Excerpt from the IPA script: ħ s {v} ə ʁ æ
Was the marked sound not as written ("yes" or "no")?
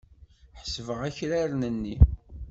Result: no